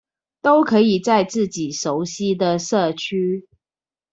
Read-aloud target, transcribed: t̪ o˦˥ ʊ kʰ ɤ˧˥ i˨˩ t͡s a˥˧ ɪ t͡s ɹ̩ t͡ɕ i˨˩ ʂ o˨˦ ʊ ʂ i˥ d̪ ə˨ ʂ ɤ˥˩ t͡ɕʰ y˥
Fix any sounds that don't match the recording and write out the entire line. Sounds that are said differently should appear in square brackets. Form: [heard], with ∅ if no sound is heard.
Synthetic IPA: t̪ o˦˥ ʊ kʰ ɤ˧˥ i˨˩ t͡s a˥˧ ɪ t͡s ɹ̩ t͡ɕ i˨˩ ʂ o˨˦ ʊ [ɕ] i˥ d̪ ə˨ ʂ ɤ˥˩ t͡ɕʰ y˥